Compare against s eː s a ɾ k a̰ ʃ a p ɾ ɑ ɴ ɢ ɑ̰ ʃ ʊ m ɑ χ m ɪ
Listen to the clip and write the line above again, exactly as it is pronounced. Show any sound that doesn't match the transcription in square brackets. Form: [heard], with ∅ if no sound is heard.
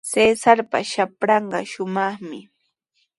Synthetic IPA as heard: s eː s a ɾ [p] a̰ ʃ a p ɾ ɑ ɴ ɢ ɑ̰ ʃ ʊ m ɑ χ m ɪ